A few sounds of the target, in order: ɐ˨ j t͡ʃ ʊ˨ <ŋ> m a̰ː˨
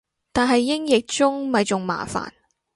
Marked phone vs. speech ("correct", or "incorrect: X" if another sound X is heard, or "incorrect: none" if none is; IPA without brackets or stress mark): correct